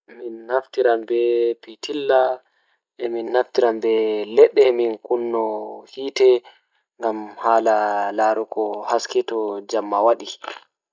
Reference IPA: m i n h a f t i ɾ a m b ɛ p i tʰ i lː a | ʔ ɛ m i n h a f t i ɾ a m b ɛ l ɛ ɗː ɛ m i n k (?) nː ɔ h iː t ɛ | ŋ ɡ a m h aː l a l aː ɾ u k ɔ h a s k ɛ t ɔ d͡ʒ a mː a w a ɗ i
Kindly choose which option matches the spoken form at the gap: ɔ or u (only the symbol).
u